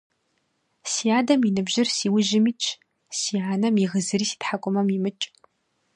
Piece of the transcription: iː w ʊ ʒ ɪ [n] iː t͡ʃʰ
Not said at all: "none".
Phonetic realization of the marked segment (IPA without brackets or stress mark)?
m